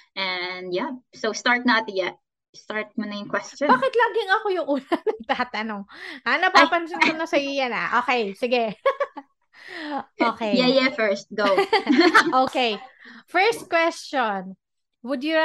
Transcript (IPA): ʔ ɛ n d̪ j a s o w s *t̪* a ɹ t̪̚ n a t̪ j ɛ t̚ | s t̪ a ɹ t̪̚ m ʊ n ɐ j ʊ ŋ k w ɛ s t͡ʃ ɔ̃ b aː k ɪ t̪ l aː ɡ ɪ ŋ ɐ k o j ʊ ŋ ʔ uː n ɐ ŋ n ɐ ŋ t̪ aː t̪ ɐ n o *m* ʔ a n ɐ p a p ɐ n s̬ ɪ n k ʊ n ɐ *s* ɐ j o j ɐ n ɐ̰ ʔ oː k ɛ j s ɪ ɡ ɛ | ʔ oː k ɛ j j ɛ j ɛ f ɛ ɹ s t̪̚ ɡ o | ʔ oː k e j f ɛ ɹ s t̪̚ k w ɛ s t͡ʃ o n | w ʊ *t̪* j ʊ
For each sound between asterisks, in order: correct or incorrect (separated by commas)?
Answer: correct, incorrect, correct, incorrect